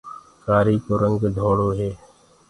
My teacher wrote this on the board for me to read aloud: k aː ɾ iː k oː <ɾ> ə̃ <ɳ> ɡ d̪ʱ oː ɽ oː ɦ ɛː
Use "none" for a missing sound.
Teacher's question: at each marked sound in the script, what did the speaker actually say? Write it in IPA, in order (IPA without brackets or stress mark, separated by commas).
ɾ, ŋ